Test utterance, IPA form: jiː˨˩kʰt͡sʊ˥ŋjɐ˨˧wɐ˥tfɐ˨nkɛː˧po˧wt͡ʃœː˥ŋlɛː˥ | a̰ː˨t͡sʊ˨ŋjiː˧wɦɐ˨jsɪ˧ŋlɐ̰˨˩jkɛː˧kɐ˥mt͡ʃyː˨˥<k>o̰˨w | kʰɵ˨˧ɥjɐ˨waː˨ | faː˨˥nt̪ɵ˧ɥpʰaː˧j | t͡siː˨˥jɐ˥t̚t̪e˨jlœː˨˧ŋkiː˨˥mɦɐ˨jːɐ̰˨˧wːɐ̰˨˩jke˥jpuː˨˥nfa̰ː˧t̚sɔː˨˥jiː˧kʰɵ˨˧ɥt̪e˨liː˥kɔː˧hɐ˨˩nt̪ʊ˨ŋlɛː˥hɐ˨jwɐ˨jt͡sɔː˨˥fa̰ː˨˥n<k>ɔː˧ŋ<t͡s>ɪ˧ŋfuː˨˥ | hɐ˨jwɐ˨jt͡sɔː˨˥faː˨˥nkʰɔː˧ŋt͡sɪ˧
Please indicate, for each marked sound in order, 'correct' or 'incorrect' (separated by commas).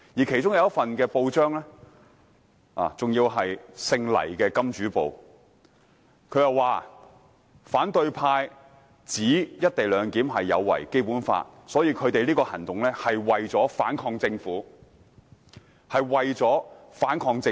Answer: incorrect, incorrect, correct